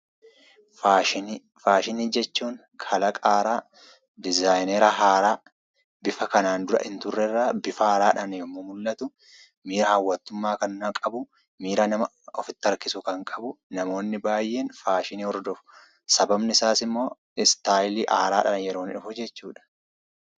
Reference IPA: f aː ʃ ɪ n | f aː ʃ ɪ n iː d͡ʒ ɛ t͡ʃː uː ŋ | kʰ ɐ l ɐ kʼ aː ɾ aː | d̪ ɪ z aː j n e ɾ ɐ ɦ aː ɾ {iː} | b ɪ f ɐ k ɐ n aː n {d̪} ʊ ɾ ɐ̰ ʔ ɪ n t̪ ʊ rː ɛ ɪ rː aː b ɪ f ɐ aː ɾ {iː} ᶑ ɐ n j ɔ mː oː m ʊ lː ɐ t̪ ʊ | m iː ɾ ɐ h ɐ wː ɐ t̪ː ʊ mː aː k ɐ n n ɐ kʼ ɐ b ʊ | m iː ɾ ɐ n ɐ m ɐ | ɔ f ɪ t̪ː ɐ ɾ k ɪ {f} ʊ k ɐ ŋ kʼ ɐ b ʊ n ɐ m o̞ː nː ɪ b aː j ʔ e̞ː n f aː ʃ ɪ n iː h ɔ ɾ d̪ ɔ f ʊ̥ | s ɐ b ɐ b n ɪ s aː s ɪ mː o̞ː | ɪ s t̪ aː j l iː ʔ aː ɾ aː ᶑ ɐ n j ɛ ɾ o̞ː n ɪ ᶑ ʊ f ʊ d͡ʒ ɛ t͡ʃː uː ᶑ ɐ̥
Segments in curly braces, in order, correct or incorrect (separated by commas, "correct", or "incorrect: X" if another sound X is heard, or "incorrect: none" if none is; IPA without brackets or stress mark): incorrect: aː, correct, incorrect: aː, incorrect: s